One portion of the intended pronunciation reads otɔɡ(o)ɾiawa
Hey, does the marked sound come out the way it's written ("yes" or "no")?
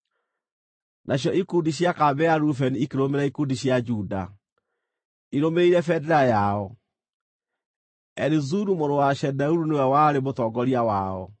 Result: no